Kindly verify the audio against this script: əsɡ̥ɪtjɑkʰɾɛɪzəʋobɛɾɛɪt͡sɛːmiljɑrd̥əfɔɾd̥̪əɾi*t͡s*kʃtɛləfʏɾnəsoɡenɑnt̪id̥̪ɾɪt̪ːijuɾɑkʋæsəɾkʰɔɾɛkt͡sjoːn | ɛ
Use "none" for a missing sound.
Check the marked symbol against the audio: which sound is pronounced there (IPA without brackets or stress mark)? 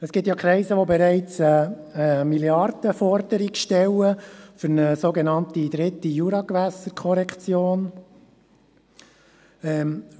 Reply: none